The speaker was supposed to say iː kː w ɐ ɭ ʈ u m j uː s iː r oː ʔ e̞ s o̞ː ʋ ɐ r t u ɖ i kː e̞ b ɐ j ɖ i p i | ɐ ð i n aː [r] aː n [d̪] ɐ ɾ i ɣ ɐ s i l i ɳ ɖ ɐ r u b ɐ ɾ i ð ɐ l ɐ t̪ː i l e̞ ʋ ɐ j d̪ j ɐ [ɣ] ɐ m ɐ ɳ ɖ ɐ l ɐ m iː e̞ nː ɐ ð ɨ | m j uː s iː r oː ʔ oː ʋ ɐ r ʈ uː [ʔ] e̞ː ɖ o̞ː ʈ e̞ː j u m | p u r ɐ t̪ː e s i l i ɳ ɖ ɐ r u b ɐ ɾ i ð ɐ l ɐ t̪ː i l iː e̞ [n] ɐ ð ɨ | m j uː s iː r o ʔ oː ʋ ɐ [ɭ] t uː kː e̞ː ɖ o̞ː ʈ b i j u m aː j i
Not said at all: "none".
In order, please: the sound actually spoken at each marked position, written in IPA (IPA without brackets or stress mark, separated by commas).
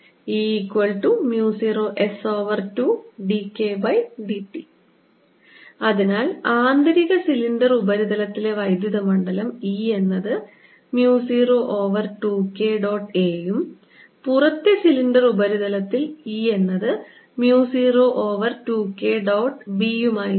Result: l, d̪, ð, k, nː, r